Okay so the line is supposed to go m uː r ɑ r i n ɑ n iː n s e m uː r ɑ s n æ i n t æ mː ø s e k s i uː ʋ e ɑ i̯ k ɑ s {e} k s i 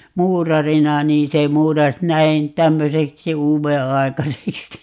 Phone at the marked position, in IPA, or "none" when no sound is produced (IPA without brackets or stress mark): e